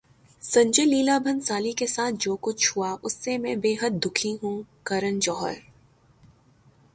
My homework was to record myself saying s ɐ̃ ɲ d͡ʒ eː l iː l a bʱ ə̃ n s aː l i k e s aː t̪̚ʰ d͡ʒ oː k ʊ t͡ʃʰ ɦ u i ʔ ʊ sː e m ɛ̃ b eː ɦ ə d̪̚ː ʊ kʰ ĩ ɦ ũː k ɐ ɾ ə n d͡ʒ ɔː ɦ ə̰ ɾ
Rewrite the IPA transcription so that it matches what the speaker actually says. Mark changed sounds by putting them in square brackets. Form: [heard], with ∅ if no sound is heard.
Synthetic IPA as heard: s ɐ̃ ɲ d͡ʒ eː l iː l a bʱ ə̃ n s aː l i k e s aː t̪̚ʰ d͡ʒ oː k ʊ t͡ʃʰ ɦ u [a] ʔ ʊ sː e m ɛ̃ b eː ɦ ə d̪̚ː ʊ kʰ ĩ ɦ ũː k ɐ ɾ ə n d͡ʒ ɔː ɦ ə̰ ɾ